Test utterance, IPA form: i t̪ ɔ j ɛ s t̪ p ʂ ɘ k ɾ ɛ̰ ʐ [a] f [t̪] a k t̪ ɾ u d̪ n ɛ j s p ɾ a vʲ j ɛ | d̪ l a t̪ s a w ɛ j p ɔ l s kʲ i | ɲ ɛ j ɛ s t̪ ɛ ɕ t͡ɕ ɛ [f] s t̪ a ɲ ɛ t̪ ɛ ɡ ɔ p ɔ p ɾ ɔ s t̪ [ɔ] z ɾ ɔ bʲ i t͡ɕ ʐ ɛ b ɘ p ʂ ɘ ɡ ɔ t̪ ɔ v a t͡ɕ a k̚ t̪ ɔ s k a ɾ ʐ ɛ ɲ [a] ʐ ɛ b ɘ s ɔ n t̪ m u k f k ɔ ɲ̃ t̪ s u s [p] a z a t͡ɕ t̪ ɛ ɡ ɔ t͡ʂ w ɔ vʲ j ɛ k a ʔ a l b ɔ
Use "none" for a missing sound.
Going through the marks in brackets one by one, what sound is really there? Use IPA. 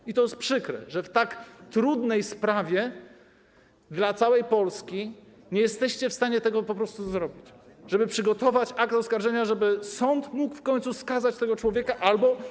ɛ, t̪, f, u, a, k

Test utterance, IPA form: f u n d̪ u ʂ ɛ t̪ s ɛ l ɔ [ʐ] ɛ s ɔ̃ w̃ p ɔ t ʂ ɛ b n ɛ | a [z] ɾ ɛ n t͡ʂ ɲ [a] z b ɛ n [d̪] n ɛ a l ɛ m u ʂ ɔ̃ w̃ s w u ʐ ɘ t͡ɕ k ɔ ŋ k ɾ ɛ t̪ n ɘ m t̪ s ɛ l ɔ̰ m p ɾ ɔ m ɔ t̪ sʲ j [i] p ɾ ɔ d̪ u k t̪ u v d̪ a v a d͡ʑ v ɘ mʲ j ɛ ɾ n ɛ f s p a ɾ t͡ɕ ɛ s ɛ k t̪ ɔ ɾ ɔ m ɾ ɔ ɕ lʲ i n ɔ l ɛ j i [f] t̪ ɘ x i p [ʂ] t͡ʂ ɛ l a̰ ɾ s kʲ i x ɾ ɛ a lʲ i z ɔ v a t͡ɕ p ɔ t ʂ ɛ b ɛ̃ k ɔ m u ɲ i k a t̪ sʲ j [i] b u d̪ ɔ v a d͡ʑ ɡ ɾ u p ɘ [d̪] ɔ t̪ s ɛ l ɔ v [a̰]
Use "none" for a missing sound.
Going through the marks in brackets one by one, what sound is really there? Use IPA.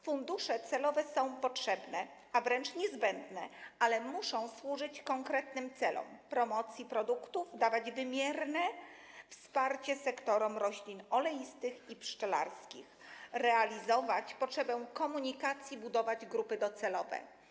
v, v, ɛ, d̪, i, s, ʂ, i, d̪, ɛ̰

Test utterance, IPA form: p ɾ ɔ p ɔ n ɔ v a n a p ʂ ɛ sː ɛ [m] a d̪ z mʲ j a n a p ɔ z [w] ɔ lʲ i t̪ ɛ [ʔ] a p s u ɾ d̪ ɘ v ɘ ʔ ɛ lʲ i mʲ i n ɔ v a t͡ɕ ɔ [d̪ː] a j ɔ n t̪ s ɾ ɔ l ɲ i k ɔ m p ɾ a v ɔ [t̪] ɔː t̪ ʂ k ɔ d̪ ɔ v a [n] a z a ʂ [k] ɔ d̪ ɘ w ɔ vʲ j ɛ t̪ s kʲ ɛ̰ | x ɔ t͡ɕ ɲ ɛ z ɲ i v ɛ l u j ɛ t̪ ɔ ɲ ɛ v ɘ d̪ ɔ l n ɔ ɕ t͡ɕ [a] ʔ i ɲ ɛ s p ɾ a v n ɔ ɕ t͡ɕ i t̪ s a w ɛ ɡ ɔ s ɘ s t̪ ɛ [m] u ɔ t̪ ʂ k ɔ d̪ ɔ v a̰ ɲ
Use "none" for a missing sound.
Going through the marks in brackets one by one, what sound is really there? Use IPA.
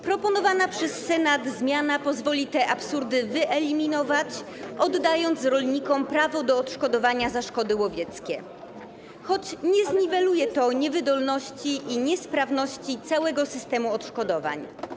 n, v, ʔ, d̪ː, d̪, ɲ, k, i, m

